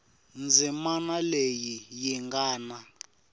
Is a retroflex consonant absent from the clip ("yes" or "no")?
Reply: yes